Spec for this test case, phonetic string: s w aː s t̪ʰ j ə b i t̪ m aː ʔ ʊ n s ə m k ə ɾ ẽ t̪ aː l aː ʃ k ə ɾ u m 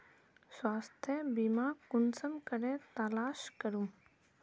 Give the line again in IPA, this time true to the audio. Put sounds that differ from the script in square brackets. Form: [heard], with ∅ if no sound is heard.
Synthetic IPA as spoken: s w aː s t̪ʰ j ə b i [∅] m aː [k] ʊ n s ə m k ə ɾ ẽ t̪ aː l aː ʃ k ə ɾ u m